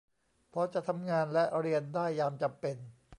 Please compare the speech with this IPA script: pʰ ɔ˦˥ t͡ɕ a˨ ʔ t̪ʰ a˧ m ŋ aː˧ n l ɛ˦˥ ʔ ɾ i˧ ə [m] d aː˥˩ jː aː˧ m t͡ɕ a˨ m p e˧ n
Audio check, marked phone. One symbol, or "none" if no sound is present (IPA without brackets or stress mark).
n